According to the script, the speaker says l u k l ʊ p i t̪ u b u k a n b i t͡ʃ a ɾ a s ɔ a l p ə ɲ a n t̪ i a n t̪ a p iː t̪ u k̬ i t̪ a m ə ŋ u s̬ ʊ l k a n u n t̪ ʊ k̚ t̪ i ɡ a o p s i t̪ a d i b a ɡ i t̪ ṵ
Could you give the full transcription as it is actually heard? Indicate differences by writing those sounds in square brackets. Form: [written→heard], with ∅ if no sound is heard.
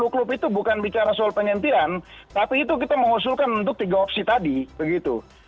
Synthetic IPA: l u k l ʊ p i t̪ u b u k a n b i t͡ʃ a ɾ a s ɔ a l p ə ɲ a n t̪ i a n t̪ a p iː t̪ u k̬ i t̪ a m ə ŋ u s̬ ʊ l k a n u n t̪ ʊ k̚ t̪ i ɡ a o p s i t̪ a d i b [a→ə] ɡ i t̪ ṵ

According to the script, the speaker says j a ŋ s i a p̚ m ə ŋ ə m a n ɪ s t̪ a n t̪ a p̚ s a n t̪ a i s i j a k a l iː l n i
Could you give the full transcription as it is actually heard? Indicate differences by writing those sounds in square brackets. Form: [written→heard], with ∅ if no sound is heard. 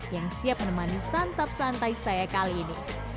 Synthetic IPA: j a ŋ s i a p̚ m ə [ŋ→n] ə m a n [ɪ→i] s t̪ a n t̪ a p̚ s a n t̪ a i s [i→a] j a k a l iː [l→∅] n i

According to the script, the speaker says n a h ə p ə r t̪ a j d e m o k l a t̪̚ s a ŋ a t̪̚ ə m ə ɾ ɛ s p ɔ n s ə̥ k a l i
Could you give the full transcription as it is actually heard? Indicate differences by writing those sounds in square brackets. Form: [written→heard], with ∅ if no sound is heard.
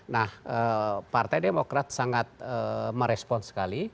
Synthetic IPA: n a h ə p [ə→a] r t̪ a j d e m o k [l→ɾ] a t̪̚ s a ŋ a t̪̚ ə m ə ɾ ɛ s p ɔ n s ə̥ k a l i

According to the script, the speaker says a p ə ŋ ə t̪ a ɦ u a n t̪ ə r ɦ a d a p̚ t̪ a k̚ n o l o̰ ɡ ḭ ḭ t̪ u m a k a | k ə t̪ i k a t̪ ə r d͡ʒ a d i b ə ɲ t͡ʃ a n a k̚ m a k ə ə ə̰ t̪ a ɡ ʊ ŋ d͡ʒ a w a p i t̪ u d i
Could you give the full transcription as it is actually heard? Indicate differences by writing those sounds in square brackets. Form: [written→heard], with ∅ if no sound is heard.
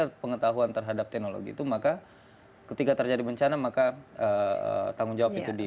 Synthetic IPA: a p ə ŋ ə t̪ a ɦ u a n t̪ ə r ɦ a d a p̚ t̪ [a→ɛ] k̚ n o l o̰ ɡ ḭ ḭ t̪ u m a k a | k ə t̪ i k a t̪ ə r d͡ʒ a d i b ə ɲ t͡ʃ a n a [k̚→∅] m a k [ə→a] ə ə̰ t̪ a [ɡ→ŋ] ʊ ŋ d͡ʒ a w a p i t̪ u d i

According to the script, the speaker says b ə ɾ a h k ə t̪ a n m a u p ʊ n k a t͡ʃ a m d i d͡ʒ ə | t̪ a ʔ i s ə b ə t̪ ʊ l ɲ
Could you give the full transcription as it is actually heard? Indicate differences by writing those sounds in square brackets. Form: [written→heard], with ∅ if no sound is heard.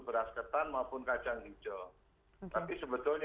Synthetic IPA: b ə ɾ a [h→s] k ə t̪ a n m a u p ʊ n k a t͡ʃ a [m→ŋ] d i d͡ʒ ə | t̪ a [ʔ→p] i s ə b ə t̪ ʊ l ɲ

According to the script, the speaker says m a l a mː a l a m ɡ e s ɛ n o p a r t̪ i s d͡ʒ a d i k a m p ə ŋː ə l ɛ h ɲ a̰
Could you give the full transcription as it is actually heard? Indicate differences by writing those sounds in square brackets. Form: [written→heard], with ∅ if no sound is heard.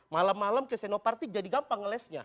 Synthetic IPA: m a l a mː a l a m [ɡ→k] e s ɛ n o p a r t̪ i [s→∅] d͡ʒ a d i [k→ɡ] a m p [ə→a] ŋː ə l ɛ [h→s] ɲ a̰

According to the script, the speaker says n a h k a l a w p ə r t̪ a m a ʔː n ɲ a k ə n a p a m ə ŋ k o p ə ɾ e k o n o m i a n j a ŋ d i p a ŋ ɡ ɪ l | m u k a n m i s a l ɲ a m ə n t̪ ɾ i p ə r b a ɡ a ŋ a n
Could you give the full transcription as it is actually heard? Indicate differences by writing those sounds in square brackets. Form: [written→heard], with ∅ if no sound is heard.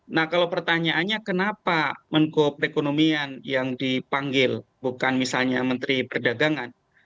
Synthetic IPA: n a h k a l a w p ə r t̪ a [m→ɲ] a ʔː n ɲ a k ə n a p a m ə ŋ k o p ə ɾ e k o n o m i a n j a ŋ d i p a ŋ ɡ ɪ l | [m→b] u k a n m i s a l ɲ a m ə n t̪ ɾ i p ə r [b→d] a ɡ a ŋ a n

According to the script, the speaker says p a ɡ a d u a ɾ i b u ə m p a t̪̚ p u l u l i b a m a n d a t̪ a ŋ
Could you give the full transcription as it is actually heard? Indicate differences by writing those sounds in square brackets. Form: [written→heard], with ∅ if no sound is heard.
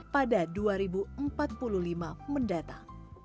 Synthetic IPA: p a [ɡ→d] a d u a ɾ i b u ə m p a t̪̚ p u l u l i [b→m] a m [a→ə] n d a t̪ a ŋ

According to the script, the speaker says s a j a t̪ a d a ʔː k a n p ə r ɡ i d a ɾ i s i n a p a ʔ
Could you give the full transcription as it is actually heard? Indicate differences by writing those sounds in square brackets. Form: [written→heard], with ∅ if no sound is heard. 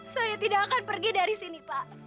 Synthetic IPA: s a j a t̪ [a→i] d a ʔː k a n p ə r ɡ i d a ɾ i s i n [a→i] p a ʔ

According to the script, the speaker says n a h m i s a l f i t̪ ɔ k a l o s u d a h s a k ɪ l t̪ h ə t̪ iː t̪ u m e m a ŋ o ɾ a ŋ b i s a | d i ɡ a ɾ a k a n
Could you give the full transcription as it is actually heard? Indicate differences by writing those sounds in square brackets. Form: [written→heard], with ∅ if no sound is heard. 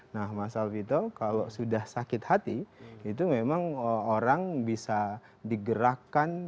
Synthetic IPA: n a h m [i→a] s a l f i t̪ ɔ k a l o s u d a h s a k ɪ [l→∅] t̪ h [ə→a] t̪ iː t̪ u m e m a ŋ o ɾ a ŋ b i s a | d i ɡ [a→ə] ɾ a k a n

